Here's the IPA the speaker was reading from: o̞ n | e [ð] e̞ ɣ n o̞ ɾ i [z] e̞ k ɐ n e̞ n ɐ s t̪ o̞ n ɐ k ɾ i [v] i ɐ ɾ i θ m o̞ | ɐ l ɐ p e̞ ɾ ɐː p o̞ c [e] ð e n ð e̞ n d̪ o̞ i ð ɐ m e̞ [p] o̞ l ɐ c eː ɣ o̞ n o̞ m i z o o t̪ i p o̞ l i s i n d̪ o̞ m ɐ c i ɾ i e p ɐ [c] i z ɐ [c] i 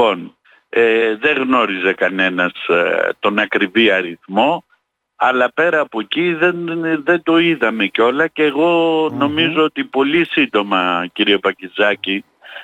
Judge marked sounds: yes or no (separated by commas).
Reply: yes, yes, yes, no, no, yes, yes